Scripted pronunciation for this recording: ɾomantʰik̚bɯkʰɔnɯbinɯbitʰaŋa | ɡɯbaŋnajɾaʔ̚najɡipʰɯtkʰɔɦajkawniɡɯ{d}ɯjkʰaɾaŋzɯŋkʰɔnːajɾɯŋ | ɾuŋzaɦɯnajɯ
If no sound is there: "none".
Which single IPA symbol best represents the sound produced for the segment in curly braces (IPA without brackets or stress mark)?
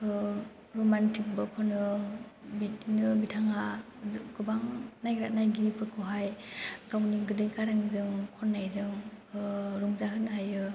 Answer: d